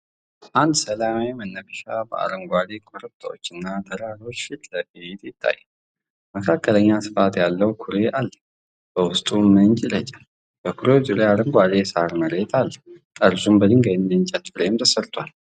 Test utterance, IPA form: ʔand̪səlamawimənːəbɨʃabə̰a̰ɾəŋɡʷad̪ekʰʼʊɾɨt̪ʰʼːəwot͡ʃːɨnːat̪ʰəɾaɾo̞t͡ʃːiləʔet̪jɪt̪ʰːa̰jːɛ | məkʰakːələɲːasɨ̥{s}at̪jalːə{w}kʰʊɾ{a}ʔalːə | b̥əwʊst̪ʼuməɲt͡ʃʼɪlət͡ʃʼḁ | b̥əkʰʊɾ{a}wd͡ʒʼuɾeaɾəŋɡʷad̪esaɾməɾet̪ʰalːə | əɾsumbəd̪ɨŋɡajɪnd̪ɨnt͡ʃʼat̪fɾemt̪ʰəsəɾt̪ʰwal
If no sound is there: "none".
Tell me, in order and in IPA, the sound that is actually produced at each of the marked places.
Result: f, w, e, e

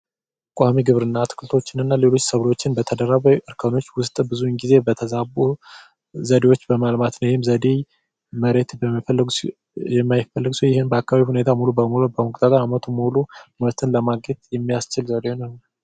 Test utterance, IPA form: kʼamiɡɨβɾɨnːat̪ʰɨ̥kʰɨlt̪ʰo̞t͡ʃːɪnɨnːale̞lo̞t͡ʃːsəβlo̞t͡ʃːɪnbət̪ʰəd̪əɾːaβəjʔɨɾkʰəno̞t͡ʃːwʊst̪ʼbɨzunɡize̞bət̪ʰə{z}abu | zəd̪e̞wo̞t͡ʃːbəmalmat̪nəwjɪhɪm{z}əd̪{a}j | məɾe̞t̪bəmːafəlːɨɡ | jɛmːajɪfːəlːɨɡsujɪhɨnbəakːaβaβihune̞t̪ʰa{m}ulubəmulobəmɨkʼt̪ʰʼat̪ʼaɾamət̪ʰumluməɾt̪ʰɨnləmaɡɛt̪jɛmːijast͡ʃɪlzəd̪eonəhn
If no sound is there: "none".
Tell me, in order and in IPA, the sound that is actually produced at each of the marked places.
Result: z, z, e, m

